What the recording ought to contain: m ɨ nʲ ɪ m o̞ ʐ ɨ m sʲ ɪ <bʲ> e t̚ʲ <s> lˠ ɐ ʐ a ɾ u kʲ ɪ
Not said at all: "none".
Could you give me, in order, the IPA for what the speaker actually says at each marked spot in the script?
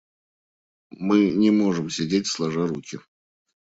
dʲ, s

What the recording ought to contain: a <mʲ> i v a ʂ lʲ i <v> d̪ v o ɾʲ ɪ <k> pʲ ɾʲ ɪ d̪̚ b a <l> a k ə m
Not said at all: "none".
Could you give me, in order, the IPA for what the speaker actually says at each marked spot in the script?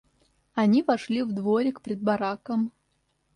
nʲ, v, k, ɾ

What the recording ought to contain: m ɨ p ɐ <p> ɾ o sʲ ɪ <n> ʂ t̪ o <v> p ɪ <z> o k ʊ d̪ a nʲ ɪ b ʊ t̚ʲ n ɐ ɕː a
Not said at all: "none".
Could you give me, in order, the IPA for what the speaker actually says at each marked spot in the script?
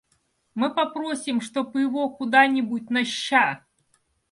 p, m, none, v

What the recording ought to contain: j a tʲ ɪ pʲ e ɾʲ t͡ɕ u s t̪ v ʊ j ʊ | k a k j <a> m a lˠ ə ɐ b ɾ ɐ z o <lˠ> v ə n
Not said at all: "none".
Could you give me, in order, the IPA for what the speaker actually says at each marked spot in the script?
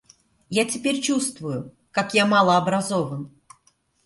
a, none

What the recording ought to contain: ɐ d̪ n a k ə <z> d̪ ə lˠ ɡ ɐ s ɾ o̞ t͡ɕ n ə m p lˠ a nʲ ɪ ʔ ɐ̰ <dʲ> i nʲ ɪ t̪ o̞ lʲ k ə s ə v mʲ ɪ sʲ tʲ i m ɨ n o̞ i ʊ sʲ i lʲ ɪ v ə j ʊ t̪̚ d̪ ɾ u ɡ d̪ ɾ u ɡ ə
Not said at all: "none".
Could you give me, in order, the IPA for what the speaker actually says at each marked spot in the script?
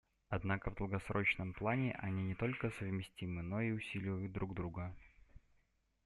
v, nʲ

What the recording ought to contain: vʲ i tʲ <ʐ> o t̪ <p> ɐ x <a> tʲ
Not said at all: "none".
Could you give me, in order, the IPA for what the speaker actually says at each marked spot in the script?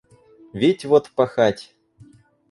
v, p, a

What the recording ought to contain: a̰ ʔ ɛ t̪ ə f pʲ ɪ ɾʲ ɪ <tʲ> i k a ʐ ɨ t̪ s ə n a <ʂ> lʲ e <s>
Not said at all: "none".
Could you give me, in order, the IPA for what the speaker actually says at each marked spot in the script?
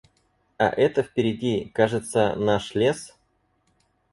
dʲ, ʂ, s

